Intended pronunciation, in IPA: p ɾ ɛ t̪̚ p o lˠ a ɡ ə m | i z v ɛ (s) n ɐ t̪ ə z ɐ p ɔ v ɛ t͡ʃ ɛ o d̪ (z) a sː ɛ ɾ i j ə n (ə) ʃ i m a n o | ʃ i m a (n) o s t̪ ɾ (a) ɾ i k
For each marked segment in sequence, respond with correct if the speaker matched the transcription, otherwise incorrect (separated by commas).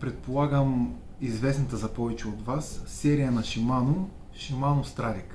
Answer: correct, incorrect, incorrect, correct, correct